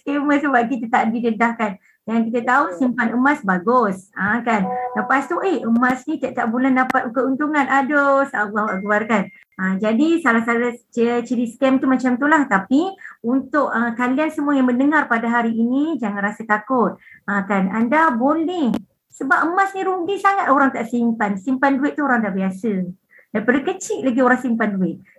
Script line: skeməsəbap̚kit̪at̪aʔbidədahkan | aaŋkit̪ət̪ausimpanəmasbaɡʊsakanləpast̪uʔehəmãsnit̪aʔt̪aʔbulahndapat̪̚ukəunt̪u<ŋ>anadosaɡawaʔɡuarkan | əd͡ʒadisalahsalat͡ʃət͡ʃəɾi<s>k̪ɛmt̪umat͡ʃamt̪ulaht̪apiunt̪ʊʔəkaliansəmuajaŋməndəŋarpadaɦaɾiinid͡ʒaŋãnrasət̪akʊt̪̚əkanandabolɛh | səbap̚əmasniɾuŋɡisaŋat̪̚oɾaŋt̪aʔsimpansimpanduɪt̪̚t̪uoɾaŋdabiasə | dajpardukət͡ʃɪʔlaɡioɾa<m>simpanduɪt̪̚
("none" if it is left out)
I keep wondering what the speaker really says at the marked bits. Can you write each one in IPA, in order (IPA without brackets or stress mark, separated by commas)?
ŋ, s, ŋ